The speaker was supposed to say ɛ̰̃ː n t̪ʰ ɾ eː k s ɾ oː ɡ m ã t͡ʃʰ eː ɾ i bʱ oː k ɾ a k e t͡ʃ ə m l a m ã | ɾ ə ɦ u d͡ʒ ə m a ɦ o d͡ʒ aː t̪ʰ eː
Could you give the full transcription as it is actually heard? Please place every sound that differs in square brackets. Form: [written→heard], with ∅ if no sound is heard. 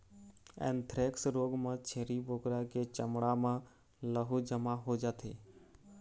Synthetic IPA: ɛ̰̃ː n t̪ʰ ɾ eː k s ɾ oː ɡ m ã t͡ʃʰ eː ɾ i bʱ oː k ɾ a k e t͡ʃ ə m [l→ɽ] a m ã | [ɾ→l] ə ɦ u d͡ʒ ə m a ɦ o d͡ʒ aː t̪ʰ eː